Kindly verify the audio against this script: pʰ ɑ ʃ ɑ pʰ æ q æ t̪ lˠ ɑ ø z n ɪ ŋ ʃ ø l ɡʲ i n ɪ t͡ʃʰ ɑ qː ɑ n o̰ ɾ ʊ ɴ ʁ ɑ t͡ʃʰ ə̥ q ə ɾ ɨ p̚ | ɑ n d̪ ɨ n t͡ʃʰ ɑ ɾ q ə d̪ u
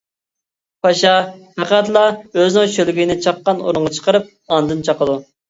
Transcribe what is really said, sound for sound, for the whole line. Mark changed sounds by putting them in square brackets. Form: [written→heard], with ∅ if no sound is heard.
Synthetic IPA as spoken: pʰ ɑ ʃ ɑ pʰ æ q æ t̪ lˠ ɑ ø z n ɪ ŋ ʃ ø l ɡʲ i n ɪ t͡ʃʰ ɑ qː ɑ n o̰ ɾ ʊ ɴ ʁ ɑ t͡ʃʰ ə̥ q ə ɾ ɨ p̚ | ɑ n d̪ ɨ n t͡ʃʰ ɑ [ɾ→∅] q ə d̪ u